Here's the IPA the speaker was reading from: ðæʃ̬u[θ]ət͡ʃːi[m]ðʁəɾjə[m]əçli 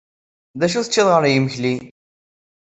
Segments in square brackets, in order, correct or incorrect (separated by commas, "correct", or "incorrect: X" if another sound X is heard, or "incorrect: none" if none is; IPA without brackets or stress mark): correct, incorrect: none, correct